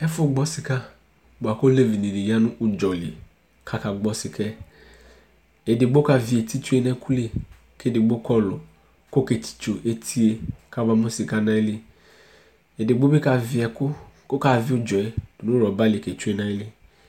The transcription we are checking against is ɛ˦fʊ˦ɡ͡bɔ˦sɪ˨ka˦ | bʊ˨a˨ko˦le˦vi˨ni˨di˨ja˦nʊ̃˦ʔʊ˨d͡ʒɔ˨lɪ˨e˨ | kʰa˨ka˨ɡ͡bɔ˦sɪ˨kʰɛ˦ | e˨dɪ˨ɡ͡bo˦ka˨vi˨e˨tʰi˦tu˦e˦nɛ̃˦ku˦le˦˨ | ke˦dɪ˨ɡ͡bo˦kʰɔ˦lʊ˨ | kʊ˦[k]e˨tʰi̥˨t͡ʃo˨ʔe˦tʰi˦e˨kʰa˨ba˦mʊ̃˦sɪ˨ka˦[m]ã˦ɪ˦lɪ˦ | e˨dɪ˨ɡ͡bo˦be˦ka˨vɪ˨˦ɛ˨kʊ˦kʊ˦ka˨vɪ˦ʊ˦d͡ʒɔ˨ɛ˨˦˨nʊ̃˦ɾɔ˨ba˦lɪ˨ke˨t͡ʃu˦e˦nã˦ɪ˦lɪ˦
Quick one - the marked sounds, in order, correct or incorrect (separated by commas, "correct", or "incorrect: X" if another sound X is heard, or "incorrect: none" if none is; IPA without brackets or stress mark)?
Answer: correct, incorrect: n